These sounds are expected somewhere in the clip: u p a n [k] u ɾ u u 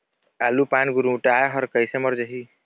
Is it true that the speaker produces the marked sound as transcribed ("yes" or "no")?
no